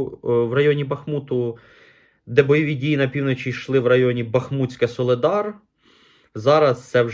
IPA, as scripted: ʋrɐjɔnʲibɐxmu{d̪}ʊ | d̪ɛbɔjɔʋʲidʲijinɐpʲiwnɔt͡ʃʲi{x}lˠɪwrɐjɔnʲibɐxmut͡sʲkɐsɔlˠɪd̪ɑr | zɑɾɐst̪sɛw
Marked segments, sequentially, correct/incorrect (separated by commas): incorrect, incorrect